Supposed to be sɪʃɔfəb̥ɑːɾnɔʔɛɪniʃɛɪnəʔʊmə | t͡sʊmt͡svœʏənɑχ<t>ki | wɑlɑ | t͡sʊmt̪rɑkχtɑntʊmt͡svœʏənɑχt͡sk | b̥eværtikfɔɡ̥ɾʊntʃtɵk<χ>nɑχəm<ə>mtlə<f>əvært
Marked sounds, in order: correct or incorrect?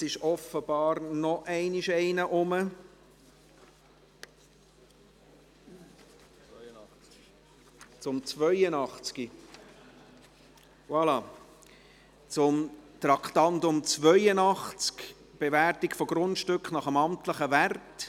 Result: incorrect: t͡s, correct, incorrect: ɑ, incorrect: χ

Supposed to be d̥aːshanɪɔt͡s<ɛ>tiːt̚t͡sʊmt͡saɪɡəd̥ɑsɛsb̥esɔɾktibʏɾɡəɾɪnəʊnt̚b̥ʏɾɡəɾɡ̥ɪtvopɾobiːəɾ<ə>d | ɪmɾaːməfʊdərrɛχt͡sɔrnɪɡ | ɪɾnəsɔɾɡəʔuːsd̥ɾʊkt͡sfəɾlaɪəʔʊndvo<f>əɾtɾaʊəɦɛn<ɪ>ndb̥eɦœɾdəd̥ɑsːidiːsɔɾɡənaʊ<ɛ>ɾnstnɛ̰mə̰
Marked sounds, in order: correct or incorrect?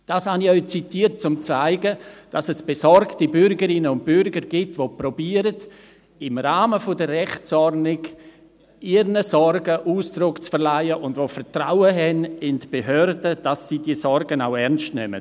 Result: incorrect: i, correct, correct, correct, correct

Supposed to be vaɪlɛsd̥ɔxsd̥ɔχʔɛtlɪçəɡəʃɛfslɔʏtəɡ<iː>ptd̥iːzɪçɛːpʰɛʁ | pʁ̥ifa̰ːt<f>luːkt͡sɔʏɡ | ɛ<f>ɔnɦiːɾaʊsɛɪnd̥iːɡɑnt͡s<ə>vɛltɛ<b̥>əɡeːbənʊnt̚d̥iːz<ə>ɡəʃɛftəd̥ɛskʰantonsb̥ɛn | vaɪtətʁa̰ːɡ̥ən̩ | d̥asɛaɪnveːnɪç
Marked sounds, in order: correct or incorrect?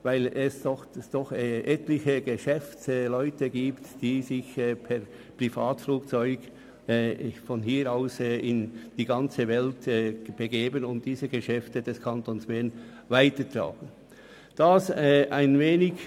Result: correct, correct, correct, correct, correct, correct

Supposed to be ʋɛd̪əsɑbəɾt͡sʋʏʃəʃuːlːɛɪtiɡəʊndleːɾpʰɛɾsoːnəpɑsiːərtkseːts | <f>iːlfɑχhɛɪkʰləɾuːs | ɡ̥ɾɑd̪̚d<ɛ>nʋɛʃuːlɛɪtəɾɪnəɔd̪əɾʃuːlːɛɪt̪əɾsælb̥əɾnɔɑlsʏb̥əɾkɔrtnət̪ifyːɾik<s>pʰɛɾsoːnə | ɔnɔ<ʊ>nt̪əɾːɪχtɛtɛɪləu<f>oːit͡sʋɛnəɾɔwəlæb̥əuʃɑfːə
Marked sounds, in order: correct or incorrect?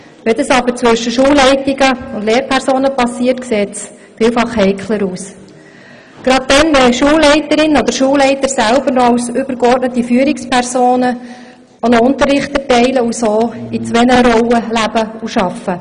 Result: correct, correct, correct, correct, incorrect: s

